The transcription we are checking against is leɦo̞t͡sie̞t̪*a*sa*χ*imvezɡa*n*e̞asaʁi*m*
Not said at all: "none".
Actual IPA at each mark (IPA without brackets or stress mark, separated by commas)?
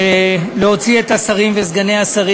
a, ʁ, n, none